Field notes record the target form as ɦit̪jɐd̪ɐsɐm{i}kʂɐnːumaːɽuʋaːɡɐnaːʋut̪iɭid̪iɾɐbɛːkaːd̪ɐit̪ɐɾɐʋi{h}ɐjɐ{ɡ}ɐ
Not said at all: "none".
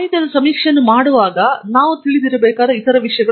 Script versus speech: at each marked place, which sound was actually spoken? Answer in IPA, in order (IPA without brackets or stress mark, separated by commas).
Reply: iː, ʂ, ɡ